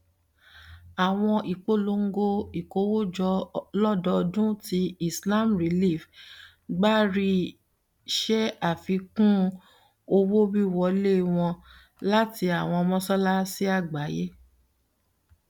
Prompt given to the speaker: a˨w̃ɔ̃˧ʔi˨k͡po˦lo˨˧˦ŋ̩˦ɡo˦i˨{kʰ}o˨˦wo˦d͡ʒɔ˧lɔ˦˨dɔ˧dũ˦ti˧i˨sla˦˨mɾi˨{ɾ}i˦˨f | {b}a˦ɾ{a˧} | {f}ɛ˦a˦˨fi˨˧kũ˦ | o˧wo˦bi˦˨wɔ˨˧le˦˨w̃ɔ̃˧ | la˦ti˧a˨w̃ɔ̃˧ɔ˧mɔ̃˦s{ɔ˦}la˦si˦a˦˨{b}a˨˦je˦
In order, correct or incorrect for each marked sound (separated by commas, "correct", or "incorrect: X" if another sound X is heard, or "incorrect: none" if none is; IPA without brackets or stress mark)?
incorrect: k, incorrect: l, incorrect: ɡ͡b, incorrect: i˧, incorrect: ʃ, correct, incorrect: ɡ͡b